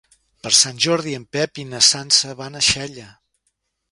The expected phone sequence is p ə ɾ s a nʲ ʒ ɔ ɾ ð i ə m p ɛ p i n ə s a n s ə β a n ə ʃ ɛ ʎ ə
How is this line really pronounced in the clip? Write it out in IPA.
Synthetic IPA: p ə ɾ s a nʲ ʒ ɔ ɾ ð i ə m p ɛ p i n ə s a n s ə β a n ə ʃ ɛ ʎ ə